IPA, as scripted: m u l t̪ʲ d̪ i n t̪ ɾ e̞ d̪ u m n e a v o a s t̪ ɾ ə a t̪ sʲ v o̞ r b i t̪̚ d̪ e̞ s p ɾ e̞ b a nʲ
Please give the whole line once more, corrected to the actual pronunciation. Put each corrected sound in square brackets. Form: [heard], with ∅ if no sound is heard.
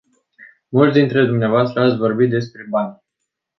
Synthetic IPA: m u l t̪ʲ d̪ i n t̪ ɾ e̞ d̪ u m n e a v o a s t̪ ɾ ə a t̪ sʲ v o̞ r b i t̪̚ d̪ e̞ s p ɾ e̞ b a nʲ